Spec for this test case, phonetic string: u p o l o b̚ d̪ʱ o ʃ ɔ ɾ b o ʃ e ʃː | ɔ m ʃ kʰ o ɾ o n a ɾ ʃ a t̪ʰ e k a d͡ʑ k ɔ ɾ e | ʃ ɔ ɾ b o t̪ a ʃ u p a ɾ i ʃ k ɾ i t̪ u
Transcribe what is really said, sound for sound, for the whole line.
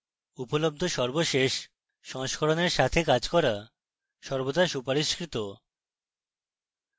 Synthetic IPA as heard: u p o l o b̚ d̪ʱ o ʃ ɔ ɾ b o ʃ e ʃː | ɔ ŋ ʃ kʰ o ɾ o n e ɾ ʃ a t̪ʰ e k a d͡ʑ k ɔ ɾ a | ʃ ɔ ɾ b o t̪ a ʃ u p a ɾ i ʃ k ɾ i t̪ o